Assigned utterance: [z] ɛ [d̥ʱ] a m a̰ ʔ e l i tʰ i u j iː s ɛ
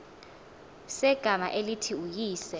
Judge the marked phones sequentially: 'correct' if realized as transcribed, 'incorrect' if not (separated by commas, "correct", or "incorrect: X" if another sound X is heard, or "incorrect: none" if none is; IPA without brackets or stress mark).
incorrect: s, incorrect: ɡ̥ʱ